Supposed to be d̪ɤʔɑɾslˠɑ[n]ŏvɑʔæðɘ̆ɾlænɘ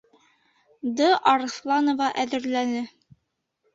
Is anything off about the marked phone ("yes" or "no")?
no